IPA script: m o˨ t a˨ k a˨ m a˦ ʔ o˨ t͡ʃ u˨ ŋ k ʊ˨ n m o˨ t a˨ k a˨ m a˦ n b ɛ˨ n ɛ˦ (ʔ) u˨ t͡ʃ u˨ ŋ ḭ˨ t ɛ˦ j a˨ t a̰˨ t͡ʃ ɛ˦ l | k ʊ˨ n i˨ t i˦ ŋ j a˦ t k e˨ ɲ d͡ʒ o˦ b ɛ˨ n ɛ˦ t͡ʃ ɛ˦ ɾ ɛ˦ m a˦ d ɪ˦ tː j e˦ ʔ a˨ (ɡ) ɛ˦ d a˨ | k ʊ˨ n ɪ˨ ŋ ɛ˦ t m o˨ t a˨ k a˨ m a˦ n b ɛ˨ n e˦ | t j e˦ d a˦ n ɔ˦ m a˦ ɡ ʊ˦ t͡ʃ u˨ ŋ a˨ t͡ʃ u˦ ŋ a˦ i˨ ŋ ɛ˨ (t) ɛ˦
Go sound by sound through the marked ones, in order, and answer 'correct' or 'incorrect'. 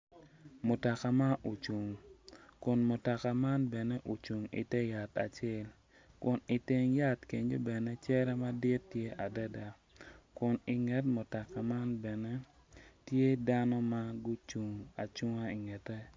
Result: correct, incorrect, correct

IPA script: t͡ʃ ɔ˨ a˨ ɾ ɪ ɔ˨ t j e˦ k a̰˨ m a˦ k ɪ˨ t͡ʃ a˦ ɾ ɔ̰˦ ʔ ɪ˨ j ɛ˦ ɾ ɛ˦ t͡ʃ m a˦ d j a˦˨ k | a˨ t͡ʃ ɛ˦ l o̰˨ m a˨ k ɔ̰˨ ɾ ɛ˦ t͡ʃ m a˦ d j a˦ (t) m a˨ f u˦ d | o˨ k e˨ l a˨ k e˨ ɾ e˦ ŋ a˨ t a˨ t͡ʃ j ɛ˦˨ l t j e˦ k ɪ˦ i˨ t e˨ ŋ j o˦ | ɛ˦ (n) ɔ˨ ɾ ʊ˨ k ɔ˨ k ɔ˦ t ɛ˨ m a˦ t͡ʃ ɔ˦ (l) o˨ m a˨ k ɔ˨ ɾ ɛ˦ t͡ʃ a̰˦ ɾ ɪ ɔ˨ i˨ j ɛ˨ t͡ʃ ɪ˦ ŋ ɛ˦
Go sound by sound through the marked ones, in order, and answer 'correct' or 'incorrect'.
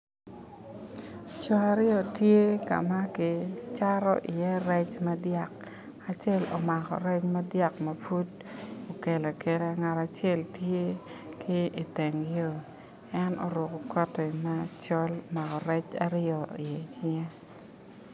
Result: incorrect, correct, correct

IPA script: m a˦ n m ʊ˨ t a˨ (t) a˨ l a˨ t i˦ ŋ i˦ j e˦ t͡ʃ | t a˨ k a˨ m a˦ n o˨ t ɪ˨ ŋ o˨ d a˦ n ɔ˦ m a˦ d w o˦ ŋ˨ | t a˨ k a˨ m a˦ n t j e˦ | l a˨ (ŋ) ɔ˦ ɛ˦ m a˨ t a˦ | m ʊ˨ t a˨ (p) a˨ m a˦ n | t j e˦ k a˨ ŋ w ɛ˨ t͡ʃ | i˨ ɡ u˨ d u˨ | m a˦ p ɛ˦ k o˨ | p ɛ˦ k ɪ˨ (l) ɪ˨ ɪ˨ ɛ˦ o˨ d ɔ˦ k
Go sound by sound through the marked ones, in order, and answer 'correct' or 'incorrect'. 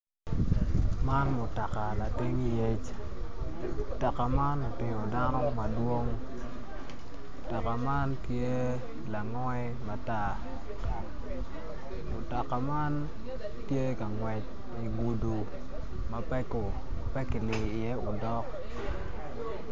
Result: incorrect, correct, incorrect, correct

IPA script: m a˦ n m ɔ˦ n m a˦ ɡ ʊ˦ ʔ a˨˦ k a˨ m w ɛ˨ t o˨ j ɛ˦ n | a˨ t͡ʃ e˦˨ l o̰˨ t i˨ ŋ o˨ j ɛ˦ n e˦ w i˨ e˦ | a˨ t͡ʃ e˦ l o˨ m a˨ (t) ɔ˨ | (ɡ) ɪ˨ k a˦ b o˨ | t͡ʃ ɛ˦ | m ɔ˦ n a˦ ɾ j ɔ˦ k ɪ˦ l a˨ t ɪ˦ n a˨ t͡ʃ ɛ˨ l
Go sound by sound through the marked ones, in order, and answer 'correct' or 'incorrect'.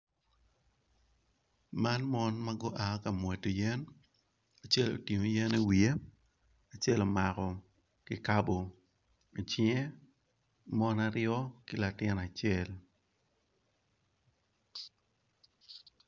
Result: incorrect, incorrect

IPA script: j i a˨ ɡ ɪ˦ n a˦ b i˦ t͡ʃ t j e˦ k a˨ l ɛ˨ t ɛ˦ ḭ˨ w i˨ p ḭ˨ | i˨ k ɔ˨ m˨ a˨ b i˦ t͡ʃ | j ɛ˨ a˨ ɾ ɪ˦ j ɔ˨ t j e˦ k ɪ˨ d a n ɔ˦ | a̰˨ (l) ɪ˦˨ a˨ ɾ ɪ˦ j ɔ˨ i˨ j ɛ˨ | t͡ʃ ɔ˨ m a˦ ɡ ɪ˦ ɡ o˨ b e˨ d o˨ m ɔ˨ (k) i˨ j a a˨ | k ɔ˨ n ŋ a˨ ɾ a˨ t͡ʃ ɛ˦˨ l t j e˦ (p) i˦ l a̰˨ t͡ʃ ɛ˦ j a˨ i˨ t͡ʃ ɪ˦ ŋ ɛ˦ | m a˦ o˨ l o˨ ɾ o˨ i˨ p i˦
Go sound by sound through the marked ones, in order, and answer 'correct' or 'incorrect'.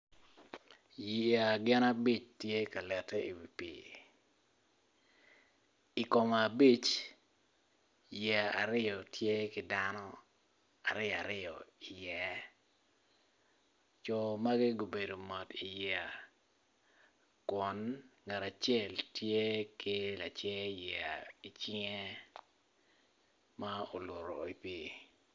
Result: incorrect, incorrect, incorrect

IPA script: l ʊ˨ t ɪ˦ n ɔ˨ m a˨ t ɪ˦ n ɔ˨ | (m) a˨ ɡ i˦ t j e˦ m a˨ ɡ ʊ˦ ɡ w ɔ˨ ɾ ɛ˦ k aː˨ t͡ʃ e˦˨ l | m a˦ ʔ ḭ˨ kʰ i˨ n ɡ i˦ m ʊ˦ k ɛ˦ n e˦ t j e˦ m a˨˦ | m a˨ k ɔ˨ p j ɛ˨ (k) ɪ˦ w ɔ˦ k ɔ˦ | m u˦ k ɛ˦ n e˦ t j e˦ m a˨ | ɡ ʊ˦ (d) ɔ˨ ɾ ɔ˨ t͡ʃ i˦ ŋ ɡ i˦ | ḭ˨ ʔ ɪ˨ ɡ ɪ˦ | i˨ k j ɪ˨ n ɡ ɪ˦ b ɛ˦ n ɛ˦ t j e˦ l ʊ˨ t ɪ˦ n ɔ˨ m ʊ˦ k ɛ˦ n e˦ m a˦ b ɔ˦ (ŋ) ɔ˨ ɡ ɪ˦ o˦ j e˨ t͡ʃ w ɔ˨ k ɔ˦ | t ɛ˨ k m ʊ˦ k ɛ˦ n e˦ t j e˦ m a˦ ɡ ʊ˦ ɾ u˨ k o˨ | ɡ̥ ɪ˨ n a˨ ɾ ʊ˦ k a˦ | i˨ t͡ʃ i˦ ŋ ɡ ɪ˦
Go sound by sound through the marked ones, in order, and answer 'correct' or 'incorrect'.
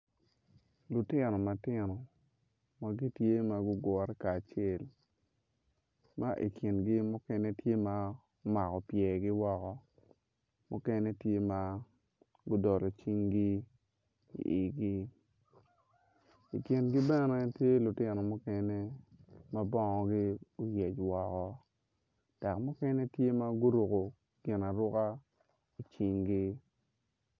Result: correct, incorrect, correct, correct

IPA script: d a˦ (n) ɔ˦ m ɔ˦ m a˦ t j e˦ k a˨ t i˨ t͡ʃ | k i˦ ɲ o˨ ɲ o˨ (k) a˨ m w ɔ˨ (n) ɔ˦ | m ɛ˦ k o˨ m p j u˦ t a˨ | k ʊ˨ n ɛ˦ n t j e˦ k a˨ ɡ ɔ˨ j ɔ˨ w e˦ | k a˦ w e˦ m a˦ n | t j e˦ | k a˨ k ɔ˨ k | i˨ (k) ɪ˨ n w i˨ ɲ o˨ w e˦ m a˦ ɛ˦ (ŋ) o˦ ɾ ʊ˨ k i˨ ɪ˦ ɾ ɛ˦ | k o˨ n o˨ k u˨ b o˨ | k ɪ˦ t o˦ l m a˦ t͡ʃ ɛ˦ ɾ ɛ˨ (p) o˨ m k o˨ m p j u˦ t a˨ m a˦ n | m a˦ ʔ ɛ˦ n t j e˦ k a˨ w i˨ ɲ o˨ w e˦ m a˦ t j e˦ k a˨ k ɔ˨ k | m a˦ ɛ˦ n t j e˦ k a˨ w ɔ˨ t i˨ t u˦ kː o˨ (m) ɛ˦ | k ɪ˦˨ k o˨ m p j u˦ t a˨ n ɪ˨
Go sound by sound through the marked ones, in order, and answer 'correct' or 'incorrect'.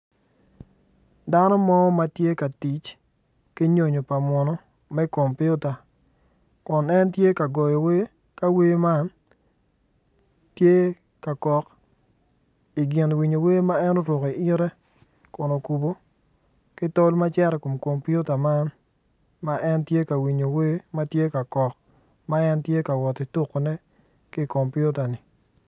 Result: correct, incorrect, correct, incorrect, incorrect, incorrect, incorrect

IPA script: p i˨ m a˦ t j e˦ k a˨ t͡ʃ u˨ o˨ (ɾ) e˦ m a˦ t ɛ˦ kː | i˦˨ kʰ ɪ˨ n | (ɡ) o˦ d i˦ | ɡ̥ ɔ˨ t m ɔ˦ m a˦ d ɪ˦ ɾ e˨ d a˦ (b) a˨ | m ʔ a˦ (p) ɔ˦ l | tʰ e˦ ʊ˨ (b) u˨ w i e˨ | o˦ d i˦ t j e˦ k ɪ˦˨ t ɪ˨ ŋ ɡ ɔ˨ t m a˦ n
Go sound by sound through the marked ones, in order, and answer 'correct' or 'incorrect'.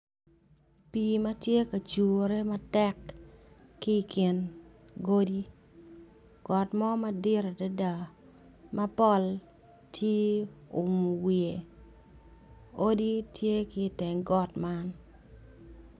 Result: correct, correct, incorrect, correct, incorrect

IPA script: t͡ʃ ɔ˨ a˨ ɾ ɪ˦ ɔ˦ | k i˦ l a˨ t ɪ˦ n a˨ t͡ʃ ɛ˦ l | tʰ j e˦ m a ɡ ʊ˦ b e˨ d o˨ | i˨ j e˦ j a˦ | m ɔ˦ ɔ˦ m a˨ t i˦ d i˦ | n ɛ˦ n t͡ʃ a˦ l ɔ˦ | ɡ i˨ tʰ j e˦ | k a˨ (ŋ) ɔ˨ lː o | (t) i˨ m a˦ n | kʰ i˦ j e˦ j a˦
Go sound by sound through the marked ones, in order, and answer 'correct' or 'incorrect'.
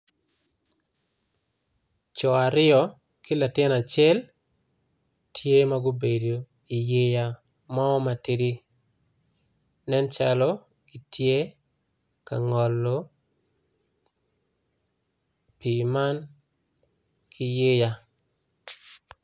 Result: correct, incorrect

